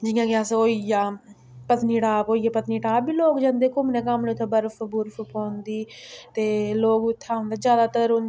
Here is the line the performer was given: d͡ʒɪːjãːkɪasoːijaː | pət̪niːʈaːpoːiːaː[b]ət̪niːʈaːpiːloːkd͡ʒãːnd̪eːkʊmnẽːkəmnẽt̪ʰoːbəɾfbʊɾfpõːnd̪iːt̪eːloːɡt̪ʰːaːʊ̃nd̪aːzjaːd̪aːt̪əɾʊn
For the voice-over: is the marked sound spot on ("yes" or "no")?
no